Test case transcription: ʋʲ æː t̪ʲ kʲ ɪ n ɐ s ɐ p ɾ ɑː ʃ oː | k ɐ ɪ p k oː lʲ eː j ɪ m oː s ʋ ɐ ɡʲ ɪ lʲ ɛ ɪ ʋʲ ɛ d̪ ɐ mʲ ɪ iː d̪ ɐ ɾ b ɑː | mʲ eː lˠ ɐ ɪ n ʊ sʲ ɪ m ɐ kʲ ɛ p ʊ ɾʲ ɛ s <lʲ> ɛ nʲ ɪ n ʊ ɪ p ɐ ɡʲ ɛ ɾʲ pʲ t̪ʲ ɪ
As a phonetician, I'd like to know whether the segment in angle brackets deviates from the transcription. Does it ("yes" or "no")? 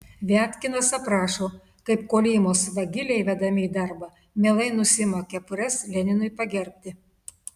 no